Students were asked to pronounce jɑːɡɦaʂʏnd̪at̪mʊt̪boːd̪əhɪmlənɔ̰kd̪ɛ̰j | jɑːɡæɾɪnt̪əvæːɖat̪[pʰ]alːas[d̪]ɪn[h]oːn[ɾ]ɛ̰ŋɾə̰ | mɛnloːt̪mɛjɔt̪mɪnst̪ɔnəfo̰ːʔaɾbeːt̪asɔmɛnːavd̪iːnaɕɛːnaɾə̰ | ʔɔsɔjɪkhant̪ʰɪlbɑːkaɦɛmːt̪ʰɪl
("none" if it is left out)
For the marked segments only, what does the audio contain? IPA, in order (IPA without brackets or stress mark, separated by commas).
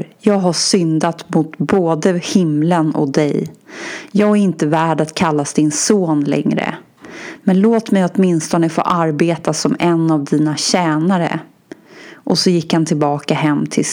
kʰ, d̪, s, l